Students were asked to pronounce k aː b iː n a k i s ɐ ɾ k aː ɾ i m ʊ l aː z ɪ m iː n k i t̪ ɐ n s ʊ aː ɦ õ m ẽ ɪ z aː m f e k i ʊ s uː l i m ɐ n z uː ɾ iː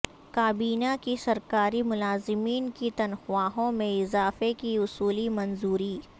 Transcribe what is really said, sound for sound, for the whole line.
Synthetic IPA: k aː b iː n a k i s ɐ ɾ k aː ɾ i m ʊ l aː z ɪ m iː n k i t̪ ɐ n x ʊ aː ɦ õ m ẽ ɪ z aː f e k i ʊ s uː l i m ɐ n z uː ɾ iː